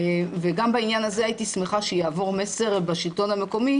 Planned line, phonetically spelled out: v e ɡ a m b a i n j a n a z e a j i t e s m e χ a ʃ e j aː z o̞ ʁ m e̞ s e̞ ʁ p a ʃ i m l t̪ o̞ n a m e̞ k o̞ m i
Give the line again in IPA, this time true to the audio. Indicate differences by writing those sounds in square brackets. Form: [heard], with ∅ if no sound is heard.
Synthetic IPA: v e ɡ a m b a i n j a n a z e a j i t [i] s m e χ a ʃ e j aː [v] o̞ ʁ m e̞ s e̞ ʁ [b] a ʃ i [∅] l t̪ o̞ n a m e̞ k o̞ m i